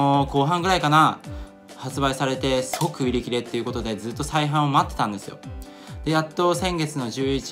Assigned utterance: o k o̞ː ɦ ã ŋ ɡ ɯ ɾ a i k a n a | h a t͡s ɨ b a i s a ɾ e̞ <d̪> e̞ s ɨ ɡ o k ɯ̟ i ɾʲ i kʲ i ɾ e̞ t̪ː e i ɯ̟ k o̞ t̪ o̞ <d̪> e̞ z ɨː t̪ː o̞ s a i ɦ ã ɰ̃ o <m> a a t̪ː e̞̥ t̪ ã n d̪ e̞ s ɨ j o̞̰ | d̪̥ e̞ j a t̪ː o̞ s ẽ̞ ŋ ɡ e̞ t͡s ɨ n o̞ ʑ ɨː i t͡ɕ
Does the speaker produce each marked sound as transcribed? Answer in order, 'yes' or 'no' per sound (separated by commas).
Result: no, yes, yes